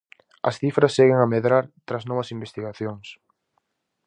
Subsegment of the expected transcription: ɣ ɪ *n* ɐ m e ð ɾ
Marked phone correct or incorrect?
incorrect